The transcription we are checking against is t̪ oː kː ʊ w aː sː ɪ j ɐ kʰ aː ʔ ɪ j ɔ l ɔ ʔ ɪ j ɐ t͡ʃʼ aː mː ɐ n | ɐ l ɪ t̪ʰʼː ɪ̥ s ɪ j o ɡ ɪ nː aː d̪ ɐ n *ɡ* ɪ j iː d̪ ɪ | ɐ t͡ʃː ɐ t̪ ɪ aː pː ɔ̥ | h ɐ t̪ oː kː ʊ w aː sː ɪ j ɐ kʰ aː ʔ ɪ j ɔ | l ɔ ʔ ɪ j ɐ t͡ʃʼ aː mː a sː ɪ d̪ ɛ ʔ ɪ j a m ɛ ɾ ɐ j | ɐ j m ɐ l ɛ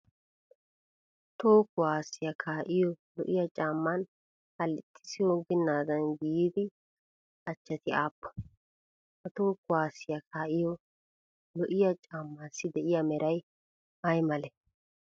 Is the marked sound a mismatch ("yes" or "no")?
no